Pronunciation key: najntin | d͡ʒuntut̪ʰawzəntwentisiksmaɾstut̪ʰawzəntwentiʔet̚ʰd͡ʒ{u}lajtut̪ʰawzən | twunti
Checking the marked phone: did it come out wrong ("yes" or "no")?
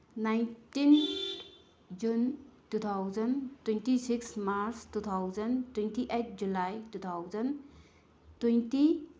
no